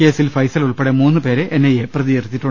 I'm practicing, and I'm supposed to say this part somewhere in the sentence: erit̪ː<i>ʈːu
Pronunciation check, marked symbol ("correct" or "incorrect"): correct